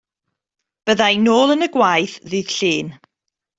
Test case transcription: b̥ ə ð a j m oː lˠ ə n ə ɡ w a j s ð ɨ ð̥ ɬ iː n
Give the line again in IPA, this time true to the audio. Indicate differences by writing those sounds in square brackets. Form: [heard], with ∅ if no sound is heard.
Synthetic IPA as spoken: b̥ ə ð a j [n] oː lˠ ə n ə ɡ w a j [θ] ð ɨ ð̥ ɬ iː n